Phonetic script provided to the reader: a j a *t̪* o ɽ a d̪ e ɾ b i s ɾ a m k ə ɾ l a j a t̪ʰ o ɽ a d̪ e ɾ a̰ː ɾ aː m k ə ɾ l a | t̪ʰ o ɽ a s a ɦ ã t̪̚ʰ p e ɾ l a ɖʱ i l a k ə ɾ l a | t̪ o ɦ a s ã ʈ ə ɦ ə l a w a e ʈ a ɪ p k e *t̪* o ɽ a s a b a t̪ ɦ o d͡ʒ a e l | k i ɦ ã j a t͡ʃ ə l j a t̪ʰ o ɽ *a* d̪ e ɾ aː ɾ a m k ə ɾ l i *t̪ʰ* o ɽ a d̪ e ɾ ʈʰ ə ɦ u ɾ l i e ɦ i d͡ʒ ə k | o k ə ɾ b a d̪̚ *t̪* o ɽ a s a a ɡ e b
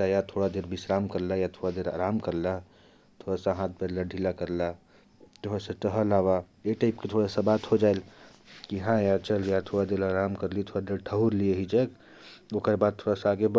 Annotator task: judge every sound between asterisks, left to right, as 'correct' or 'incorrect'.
incorrect, incorrect, correct, correct, incorrect

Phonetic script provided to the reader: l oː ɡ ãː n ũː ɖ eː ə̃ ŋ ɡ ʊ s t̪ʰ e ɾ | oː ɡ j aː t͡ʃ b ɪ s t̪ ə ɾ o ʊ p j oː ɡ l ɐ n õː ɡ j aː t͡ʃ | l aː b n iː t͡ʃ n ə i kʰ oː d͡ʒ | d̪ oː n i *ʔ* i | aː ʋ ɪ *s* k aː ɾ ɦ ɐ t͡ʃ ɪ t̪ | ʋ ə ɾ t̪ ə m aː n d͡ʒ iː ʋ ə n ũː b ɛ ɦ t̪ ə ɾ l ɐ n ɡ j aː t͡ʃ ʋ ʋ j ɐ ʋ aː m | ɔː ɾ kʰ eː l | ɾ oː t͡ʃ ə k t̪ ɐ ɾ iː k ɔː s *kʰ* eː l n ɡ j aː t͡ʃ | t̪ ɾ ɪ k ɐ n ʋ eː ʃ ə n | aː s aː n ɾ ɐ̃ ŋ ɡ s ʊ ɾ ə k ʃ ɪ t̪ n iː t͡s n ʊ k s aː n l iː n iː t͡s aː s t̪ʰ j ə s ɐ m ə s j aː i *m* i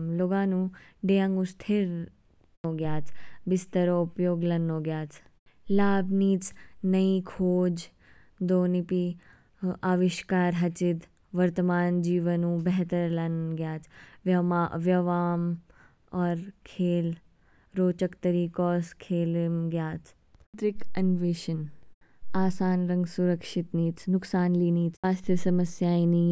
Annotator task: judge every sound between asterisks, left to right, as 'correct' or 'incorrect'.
incorrect, incorrect, correct, incorrect

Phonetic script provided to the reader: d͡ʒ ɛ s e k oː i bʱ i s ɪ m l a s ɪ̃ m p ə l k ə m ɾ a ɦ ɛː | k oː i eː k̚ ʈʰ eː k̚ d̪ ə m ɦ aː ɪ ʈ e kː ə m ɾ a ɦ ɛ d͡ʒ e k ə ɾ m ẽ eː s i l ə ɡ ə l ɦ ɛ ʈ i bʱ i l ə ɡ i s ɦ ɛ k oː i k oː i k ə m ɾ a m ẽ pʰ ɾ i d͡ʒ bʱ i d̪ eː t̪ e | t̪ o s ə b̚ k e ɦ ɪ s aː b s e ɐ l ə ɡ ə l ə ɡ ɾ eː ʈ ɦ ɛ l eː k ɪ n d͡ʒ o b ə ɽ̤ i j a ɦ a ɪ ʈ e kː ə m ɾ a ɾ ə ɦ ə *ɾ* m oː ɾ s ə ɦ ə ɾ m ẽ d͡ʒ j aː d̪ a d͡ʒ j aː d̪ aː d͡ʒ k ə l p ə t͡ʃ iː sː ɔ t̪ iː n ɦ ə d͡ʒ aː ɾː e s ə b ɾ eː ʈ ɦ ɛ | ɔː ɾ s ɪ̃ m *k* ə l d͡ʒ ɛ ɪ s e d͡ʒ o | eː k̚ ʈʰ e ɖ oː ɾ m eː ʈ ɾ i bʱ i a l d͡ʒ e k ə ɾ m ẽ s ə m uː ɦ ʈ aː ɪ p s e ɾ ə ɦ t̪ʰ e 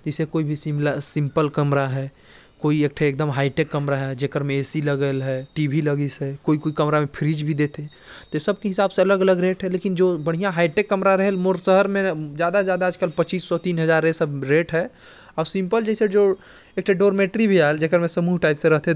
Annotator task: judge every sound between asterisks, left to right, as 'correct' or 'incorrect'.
incorrect, incorrect

